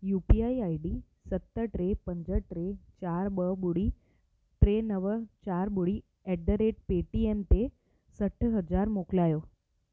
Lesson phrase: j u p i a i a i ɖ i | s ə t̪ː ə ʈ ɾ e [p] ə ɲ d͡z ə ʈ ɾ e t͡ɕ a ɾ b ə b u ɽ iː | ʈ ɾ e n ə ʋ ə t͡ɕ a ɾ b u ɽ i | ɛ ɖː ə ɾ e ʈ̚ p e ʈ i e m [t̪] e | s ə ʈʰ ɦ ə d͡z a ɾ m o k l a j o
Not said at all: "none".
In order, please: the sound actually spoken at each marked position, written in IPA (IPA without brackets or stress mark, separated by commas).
p, t̪